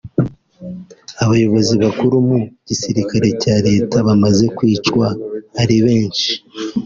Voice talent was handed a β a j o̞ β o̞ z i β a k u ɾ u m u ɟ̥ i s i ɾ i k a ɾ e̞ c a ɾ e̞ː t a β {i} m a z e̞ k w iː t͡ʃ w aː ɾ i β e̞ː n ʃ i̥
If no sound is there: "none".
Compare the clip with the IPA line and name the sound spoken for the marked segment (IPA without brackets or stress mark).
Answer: a